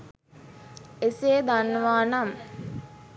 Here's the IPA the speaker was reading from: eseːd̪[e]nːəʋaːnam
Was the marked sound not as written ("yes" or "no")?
yes